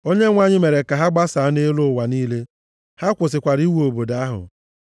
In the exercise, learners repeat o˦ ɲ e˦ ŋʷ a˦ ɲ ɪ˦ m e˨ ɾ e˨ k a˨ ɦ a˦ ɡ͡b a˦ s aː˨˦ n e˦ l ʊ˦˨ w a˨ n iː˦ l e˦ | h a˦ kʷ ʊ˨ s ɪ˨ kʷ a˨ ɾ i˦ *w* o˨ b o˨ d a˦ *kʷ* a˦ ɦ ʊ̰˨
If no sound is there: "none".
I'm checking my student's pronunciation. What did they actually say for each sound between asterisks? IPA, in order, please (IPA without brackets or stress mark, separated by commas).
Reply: w, none